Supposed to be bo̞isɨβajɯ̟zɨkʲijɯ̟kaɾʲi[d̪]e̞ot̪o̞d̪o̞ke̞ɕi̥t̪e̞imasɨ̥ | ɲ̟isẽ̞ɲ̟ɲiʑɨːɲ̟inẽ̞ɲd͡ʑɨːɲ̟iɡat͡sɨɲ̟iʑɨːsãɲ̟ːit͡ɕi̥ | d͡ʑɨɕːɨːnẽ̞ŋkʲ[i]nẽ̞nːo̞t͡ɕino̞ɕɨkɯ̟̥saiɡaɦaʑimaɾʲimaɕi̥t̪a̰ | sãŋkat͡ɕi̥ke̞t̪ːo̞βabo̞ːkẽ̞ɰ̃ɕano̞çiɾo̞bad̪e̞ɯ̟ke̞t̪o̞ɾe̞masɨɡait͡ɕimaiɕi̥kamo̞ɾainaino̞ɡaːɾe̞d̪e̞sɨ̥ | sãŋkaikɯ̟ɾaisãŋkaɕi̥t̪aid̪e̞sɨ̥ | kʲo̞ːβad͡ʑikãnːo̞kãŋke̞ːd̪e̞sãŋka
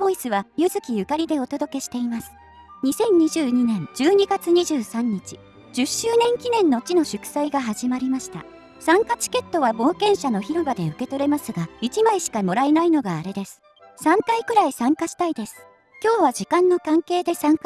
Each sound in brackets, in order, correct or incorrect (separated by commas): correct, correct